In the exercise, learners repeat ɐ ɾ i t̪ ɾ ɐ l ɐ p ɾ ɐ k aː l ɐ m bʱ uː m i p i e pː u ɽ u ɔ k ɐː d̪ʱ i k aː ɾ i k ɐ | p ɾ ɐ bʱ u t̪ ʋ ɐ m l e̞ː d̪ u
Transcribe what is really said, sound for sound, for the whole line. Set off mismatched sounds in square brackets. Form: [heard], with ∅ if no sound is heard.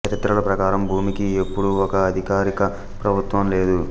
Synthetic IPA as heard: ɐ ɾ i t̪ ɾ ɐ l ɐ p ɾ ɐ k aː [ɾ] ɐ m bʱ uː m i [k] i e pː u ɽ u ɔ k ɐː d̪ʱ i k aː ɾ i k ɐ | p ɾ ɐ bʱ u t̪ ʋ ɐ m l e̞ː d̪ u